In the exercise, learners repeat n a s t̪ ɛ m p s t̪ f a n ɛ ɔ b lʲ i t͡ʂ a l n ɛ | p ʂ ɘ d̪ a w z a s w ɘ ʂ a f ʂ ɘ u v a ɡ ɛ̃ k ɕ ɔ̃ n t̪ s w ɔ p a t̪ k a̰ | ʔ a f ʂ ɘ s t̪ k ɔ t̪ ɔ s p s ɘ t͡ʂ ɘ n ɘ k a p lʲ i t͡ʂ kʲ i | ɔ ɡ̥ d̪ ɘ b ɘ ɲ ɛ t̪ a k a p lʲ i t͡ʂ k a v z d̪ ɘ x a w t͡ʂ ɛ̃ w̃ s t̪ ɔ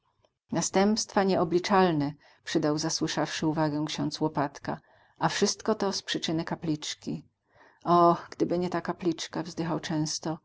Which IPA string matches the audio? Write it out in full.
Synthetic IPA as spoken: n a s t̪ ɛ m p s t̪ f a ɲ ɛ ɔ b lʲ i t͡ʂ a l n ɛ | p ʂ ɘ d̪ a w z a s w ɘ ʂ a f ʂ ɘ u v a ɡ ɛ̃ k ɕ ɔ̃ n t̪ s w ɔ p a t̪ k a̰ | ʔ a f ʂ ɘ s t̪ k ɔ t̪ ɔ s p ʂ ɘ t͡ʂ ɘ n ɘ k a p lʲ i t͡ʂ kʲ i | ɔ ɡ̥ d̪ ɘ b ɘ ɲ ɛ t̪ a k a p lʲ i t͡ʂ k a v z d̪ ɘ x a w t͡ʂ ɛ̃ w̃ s t̪ ɔ